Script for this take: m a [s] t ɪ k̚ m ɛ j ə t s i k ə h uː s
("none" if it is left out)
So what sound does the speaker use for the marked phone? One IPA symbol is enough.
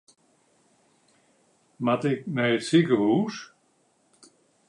none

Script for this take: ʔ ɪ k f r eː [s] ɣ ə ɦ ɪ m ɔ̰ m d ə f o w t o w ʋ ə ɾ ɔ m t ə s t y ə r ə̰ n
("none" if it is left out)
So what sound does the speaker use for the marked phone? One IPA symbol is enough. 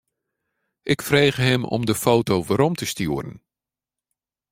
none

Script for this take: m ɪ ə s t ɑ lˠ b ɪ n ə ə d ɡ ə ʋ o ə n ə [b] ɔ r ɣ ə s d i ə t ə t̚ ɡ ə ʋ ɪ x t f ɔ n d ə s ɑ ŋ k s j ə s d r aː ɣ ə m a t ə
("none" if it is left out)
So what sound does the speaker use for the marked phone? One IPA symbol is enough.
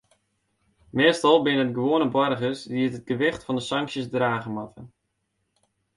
b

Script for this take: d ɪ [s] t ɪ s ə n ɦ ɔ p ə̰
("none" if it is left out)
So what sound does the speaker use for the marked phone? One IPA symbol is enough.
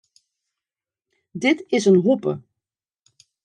none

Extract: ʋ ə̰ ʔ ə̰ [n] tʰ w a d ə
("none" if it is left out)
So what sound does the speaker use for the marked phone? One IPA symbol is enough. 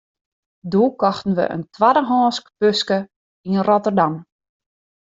n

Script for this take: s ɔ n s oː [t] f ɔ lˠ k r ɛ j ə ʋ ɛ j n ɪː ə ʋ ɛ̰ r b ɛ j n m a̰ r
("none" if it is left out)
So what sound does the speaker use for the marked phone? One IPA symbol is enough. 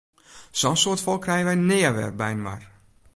t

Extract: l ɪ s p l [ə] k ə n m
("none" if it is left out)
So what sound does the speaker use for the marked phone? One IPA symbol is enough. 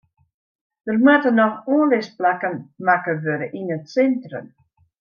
a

